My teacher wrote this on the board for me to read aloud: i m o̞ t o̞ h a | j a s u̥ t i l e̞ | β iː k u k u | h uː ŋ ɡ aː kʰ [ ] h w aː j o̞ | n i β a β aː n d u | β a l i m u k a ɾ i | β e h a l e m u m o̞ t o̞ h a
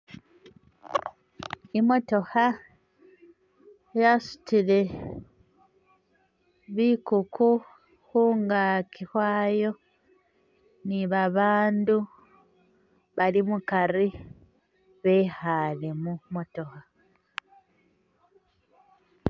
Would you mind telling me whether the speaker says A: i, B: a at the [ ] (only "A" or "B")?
A